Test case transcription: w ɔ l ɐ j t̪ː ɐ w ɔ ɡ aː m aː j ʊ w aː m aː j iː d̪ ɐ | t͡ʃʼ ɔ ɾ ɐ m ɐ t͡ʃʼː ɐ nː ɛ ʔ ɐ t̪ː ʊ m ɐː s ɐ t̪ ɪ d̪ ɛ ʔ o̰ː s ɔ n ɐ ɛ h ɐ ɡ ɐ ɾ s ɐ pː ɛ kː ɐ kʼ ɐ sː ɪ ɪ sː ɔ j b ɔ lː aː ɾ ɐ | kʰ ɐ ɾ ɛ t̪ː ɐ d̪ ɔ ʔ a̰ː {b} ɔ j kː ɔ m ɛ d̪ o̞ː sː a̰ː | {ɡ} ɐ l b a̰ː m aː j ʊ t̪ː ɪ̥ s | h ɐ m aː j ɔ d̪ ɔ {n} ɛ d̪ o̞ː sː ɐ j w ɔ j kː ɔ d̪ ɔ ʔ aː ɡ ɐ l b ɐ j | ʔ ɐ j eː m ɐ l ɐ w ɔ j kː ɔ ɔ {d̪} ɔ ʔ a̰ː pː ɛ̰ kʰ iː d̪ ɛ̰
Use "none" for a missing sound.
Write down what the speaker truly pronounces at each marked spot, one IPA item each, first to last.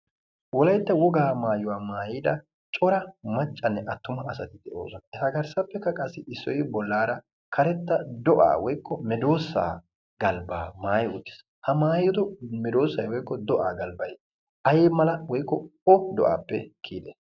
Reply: w, ɡ, m, d̪

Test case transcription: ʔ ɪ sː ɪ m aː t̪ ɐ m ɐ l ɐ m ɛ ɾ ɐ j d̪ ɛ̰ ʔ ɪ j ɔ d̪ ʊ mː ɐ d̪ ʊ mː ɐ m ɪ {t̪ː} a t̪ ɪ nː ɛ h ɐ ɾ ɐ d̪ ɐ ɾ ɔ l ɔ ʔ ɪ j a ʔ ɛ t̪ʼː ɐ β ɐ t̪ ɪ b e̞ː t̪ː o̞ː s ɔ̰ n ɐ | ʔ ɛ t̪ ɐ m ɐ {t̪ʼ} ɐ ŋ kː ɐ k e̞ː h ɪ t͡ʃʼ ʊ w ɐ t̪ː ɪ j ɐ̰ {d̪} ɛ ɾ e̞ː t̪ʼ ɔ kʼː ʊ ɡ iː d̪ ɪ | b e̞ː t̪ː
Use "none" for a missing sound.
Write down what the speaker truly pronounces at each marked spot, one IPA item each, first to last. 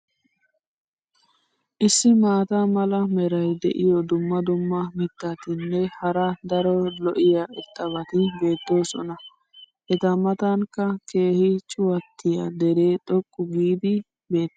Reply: t̪ː, t̪, d̪

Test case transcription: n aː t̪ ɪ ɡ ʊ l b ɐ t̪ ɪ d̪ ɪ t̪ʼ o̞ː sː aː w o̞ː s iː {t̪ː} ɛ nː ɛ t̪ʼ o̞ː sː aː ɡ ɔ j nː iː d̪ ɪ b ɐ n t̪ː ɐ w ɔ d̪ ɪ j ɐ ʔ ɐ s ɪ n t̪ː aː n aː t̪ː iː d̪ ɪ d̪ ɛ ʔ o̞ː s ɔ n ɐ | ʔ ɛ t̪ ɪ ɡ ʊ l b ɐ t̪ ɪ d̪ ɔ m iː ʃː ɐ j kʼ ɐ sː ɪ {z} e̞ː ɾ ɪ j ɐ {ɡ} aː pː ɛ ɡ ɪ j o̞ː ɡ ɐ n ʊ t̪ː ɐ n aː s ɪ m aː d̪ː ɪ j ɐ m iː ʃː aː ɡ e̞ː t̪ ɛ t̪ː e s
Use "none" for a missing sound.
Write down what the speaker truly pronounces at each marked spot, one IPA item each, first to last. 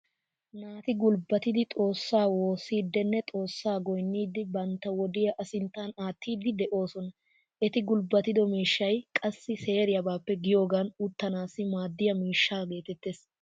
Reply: d̪ː, s, b

